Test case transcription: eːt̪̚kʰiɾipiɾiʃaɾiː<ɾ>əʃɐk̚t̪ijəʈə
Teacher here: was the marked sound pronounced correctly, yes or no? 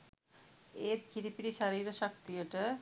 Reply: yes